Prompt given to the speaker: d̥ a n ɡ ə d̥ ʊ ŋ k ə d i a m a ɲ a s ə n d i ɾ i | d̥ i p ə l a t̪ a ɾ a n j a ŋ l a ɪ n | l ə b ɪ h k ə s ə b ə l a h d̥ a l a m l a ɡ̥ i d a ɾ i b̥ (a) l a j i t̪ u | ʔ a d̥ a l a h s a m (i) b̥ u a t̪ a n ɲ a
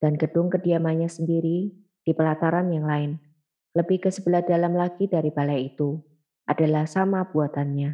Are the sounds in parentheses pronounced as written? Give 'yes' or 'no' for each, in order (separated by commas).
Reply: yes, no